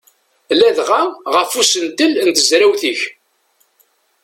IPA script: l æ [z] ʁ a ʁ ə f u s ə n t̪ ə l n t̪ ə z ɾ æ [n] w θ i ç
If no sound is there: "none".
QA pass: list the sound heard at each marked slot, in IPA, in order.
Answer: ð, none

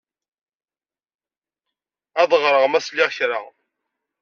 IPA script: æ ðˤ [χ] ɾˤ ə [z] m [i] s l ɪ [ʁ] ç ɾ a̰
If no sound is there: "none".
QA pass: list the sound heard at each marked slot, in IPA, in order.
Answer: ʁ, ʁ, æ, ʁ

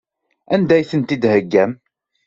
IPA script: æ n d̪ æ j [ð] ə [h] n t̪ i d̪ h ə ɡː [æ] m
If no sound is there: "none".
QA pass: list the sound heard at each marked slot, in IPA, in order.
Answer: θ, none, æ

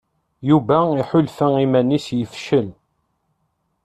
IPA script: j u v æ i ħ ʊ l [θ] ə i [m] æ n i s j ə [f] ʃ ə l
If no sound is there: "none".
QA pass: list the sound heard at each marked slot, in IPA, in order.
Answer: f, m, f

